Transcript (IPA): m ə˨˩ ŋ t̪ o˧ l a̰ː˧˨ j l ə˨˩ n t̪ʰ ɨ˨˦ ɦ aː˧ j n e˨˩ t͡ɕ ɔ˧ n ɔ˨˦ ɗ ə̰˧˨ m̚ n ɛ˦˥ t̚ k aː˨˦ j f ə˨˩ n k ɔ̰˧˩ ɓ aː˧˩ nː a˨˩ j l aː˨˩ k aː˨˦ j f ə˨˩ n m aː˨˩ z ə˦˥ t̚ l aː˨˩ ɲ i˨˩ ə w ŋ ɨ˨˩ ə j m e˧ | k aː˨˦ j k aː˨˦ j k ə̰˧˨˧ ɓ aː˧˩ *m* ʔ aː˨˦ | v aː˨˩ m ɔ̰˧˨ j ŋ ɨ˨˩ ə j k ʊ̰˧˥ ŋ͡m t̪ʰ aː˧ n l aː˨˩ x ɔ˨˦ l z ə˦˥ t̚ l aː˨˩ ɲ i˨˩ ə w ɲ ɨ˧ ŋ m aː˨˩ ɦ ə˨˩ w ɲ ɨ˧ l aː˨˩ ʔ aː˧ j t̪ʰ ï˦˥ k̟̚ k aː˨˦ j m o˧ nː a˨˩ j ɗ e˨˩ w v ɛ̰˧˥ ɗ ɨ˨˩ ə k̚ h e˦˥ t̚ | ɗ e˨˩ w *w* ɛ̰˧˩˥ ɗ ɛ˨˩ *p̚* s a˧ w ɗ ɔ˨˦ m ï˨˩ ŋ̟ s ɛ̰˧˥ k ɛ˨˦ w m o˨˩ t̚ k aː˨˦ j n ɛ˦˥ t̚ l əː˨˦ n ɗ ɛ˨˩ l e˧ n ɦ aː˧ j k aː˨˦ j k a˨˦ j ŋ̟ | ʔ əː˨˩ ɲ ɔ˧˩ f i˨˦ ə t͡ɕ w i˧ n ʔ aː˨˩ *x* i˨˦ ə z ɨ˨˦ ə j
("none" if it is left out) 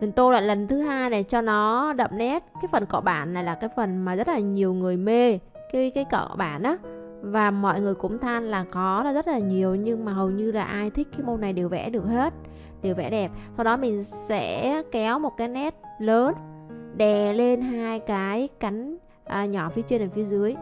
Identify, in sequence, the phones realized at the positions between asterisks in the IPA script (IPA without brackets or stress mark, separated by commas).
n, v, p̚, f